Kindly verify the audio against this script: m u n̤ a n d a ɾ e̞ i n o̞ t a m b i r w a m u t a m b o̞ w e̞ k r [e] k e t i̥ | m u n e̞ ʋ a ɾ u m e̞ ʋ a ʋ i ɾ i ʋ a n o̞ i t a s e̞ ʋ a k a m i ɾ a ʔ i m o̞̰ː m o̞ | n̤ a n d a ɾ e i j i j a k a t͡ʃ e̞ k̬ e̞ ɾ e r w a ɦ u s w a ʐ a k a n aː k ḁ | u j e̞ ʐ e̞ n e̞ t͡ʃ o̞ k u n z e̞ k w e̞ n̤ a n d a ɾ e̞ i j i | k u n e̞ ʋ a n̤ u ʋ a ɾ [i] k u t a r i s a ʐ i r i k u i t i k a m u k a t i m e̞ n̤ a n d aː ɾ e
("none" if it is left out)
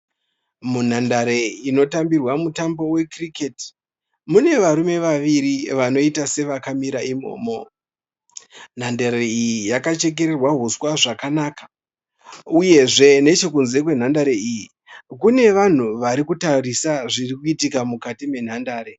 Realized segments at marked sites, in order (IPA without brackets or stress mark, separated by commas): i, i